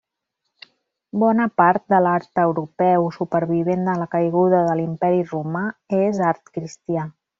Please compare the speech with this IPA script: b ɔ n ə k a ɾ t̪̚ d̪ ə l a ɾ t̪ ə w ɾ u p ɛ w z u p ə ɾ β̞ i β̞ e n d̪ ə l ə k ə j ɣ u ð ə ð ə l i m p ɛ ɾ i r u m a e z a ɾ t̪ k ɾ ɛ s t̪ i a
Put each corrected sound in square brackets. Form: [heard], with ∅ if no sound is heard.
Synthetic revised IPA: b ɔ n ə [p] a ɾ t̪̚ d̪ ə l a ɾ t̪ ə w ɾ u p ɛ w [s] u p ə ɾ β̞ i β̞ e n d̪ ə l ə k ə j ɣ u ð ə ð ə l i m p ɛ ɾ i r u m a e z a ɾ t̪ k ɾ [i] s t̪ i a